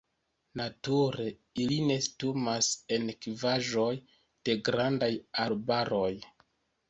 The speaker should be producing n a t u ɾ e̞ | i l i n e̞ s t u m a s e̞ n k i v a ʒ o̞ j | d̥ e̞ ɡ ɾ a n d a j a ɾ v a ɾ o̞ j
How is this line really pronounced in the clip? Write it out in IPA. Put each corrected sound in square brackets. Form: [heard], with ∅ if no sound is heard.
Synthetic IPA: n a t u ɾ e̞ | i l i n e̞ s t u m a s e̞ n k i v a ʒ o̞ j | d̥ e̞ ɡ ɾ a n d a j a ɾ [b] a ɾ o̞ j